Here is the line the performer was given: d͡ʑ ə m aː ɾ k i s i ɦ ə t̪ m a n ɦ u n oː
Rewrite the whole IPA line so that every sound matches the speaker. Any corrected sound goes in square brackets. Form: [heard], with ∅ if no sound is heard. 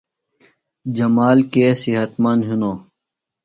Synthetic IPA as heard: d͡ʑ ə m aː [l] k [e] s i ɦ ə t̪ m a n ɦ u n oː